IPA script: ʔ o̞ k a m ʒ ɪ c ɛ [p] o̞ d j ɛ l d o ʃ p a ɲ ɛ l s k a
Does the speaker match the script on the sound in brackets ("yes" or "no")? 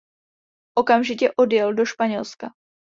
no